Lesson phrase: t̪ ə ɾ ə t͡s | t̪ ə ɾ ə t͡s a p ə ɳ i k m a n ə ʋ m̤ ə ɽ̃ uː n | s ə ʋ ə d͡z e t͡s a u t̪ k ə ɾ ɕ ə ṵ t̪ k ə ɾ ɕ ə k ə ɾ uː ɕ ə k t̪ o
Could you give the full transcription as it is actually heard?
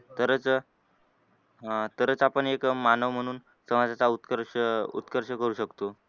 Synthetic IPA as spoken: t̪ ə ɾ ə t͡s | t̪ ə ɾ ə t͡s a p ə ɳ e k m a n ə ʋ m̤ ə ɽ̃ uː n | s ə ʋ a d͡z a t͡s a u t̪ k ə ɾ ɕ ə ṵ t̪ k ə ɾ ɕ ə k ə ɾ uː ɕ ə k t̪ o